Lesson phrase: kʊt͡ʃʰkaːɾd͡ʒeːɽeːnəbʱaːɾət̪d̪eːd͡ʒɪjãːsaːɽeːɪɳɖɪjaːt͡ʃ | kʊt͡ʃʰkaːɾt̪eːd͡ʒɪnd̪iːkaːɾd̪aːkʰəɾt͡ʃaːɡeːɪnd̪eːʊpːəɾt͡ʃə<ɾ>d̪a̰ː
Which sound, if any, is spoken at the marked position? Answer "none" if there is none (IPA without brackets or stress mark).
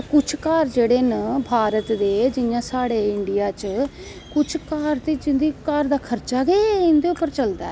l